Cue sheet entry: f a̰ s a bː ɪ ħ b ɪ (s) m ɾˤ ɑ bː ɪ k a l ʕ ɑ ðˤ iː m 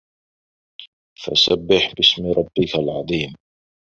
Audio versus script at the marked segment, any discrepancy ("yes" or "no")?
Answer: no